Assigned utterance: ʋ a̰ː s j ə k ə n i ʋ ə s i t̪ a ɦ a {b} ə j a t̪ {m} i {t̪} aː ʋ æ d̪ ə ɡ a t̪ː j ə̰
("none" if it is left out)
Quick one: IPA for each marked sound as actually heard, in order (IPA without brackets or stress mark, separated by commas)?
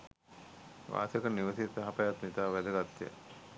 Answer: p, n, t̪